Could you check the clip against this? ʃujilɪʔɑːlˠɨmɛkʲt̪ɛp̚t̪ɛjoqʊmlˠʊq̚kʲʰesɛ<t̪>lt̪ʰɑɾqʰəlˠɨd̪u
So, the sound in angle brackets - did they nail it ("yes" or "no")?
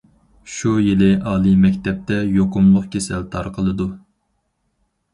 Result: no